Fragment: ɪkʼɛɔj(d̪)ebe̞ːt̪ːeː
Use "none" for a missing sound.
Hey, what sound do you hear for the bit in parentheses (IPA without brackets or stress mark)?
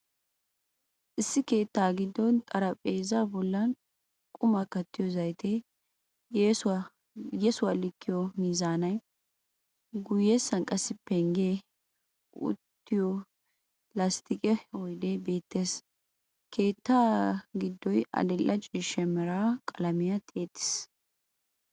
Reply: d̪